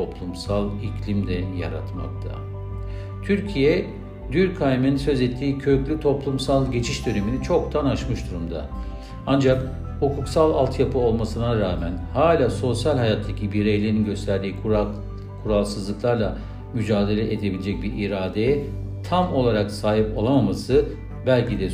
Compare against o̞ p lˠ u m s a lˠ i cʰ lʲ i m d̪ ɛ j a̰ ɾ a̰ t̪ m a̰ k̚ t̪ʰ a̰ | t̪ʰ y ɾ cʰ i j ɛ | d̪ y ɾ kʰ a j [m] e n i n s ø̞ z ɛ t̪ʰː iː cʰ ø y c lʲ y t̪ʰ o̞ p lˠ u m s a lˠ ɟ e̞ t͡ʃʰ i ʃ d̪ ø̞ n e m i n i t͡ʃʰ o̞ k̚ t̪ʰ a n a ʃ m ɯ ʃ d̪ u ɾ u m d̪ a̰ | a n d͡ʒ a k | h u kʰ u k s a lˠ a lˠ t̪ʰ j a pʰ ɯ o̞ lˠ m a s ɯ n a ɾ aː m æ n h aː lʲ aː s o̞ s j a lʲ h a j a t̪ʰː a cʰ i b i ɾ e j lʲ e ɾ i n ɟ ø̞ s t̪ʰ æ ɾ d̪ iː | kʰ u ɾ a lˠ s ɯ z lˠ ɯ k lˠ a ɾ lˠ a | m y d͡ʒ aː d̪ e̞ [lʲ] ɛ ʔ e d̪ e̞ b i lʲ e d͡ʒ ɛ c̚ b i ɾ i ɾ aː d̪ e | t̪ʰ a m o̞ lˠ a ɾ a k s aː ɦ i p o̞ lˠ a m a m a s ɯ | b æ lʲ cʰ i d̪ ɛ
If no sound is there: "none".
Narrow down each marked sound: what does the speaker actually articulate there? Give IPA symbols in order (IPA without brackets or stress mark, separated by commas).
m, lʲ